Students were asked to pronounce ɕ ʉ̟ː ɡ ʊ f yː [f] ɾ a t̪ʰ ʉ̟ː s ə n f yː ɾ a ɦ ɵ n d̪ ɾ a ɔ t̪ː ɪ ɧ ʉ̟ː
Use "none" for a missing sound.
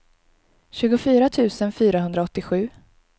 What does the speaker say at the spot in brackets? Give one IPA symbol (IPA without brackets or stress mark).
none